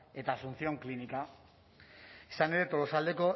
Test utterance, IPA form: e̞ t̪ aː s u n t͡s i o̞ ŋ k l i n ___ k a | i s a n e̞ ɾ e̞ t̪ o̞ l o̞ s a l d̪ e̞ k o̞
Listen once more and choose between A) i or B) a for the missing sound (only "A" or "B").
A